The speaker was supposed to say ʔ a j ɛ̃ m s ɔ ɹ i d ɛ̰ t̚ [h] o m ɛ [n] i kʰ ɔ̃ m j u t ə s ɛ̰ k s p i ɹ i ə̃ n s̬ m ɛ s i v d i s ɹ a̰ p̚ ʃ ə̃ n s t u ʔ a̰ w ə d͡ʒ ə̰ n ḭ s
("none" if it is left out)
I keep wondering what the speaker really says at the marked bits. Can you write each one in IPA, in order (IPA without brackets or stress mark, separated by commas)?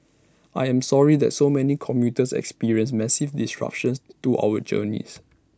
s, n